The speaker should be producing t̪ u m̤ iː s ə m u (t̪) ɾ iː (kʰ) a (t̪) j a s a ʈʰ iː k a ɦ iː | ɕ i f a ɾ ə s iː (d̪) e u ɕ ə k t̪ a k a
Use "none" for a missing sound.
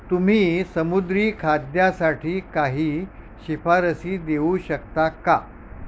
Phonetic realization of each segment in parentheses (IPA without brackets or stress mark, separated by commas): d̪, kʰ, d̪, d̪